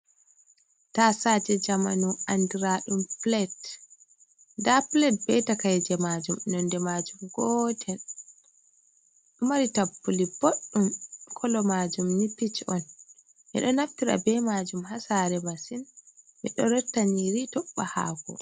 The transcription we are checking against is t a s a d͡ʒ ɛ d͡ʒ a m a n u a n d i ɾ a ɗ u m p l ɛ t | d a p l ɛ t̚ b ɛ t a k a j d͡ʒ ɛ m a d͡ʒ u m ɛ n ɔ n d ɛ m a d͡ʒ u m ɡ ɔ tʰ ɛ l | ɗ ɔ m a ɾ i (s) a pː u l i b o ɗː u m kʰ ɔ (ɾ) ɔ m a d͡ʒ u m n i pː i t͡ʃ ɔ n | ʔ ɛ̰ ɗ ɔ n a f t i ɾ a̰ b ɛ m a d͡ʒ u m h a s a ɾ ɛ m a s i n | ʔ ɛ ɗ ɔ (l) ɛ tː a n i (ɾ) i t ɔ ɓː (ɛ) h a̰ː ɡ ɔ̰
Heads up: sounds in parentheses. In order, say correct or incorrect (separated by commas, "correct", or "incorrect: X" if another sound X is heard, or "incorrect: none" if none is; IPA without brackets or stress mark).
incorrect: t, incorrect: l, incorrect: ɾ, correct, incorrect: a